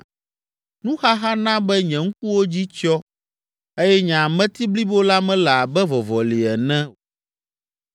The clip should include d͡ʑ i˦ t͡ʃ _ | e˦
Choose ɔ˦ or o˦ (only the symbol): ɔ˦